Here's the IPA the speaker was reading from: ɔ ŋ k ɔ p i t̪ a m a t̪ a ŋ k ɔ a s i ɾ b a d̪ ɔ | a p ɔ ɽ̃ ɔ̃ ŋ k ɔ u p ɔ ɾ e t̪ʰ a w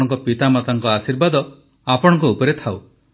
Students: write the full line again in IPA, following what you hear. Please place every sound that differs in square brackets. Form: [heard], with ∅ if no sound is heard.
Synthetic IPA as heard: ɔ ŋ k ɔ p i t̪ a m a t̪ a ŋ k ɔ a s i ɾ b a d̪ ɔ | a p ɔ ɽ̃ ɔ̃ ŋ k ɔ u p ɔ ɾ e t̪ʰ a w